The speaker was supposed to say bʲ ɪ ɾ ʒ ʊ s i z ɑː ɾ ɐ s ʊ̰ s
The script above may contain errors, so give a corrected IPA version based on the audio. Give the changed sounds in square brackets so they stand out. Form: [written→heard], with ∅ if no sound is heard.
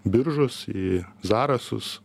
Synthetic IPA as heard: bʲ ɪ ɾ ʒ ʊ s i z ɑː ɾ ɐ s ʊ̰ s